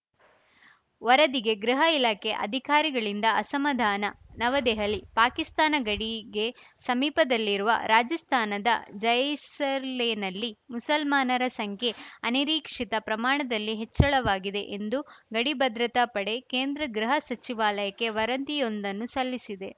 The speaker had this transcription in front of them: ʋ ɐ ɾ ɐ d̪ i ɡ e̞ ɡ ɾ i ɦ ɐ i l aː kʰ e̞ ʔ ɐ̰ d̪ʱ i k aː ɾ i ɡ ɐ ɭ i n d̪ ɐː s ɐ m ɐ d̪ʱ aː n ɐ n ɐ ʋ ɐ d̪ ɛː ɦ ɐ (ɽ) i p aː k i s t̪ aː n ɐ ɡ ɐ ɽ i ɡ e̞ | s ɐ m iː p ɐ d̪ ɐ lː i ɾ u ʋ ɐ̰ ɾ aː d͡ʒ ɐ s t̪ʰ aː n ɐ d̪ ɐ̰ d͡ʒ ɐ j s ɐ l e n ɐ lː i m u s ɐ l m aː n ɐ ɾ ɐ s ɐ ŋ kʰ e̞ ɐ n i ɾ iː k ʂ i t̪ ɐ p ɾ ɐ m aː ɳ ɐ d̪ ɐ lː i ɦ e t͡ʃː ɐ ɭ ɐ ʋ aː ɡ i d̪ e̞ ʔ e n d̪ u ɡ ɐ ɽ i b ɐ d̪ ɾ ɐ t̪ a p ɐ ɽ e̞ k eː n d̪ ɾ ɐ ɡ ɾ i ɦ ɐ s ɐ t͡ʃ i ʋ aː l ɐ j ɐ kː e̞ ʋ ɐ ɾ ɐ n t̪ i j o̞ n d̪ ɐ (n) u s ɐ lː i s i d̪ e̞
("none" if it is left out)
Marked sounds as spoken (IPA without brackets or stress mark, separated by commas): l, nː